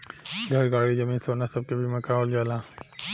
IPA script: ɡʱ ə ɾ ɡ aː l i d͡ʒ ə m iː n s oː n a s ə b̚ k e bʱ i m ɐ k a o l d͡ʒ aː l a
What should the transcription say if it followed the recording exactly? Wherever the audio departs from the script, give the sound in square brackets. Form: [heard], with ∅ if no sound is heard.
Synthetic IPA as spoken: ɡʱ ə ɾ ɡ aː [ɽ] i d͡ʒ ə m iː n s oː n a s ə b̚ k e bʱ i m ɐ k a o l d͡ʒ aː l a